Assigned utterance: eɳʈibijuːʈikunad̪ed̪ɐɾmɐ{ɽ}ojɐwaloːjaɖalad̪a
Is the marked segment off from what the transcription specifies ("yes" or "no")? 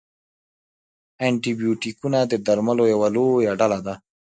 yes